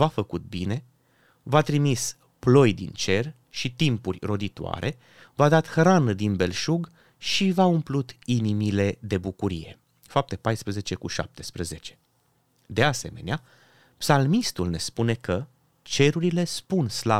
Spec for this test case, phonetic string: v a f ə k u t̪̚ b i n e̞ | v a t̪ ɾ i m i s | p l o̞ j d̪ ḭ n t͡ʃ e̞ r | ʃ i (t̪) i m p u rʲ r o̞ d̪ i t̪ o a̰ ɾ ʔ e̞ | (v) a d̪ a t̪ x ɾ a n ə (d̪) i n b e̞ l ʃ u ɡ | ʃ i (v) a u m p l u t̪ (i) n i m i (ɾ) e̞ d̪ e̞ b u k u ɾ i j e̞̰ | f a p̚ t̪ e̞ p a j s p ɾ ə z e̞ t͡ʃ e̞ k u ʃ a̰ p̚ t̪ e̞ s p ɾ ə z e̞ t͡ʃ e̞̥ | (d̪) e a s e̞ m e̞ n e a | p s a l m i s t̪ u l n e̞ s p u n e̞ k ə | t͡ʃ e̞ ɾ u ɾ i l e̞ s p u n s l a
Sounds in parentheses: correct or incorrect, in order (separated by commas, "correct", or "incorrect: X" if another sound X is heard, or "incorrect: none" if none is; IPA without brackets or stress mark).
correct, correct, correct, correct, correct, incorrect: l, correct